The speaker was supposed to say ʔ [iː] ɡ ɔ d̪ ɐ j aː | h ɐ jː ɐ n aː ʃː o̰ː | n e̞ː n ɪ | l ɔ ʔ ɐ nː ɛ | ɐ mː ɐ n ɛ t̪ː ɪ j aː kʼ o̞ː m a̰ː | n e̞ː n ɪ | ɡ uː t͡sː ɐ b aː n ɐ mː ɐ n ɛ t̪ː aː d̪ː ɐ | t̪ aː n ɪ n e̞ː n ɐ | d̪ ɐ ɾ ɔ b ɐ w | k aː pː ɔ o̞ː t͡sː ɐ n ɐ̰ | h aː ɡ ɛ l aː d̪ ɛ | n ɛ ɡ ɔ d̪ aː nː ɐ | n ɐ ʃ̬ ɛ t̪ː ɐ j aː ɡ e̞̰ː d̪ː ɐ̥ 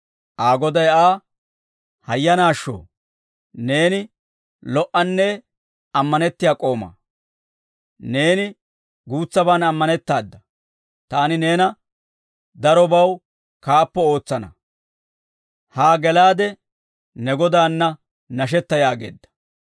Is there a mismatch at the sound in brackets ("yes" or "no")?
yes